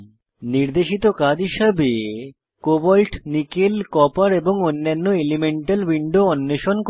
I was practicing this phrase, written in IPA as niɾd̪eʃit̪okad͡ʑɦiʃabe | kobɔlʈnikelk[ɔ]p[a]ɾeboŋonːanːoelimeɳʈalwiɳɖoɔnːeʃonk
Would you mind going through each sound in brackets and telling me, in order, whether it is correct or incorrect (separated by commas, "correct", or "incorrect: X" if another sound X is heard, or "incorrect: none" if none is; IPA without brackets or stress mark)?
correct, correct